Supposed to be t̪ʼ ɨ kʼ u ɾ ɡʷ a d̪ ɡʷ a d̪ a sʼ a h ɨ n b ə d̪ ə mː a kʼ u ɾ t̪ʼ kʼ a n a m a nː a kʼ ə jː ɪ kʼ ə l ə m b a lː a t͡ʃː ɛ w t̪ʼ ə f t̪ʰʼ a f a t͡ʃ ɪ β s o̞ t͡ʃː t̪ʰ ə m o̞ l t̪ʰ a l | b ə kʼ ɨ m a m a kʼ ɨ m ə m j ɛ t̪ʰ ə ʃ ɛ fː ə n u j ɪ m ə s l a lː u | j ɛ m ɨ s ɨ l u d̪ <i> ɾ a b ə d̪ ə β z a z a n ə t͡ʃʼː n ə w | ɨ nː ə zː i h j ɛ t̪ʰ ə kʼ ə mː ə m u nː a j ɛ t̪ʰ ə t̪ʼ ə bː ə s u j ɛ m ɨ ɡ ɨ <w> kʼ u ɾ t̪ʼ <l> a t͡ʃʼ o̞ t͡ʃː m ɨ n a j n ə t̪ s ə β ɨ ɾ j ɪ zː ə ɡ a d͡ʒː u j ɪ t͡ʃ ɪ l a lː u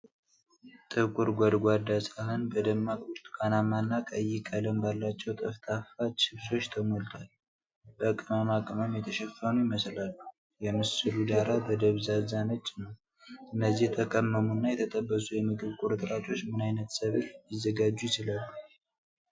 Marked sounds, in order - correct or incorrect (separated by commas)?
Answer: incorrect, incorrect, incorrect